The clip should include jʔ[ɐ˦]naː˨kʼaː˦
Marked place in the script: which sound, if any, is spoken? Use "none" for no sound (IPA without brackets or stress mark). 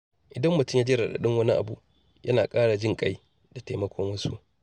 ɐ˦